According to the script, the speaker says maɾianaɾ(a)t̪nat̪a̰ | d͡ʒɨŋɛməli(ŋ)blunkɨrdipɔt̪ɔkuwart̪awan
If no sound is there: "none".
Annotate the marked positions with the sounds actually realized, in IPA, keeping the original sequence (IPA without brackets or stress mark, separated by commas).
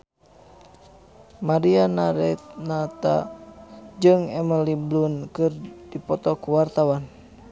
ɛ, none